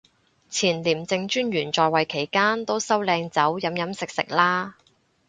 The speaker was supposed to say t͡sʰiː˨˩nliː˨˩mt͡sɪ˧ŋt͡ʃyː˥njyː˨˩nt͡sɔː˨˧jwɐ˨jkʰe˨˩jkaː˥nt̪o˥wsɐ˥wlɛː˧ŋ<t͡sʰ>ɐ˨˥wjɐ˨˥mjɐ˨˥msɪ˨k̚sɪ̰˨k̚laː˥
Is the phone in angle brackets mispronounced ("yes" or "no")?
yes